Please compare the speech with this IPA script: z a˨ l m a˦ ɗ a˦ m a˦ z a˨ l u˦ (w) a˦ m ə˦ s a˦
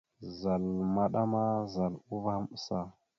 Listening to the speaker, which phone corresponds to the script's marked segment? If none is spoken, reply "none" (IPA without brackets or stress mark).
v